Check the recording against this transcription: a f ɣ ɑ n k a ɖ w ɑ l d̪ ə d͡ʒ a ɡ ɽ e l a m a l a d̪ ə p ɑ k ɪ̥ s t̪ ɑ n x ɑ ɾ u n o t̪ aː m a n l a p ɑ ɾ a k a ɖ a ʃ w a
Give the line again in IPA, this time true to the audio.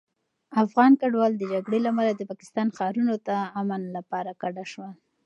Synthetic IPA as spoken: a f ɣ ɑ n k a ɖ w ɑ l d̪ ə d͡ʒ a ɡ ɽ e l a m a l a d̪ ə p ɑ k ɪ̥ s t̪ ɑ n x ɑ ɾ u n o t̪ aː m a n l a p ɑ ɾ a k a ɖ a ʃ w a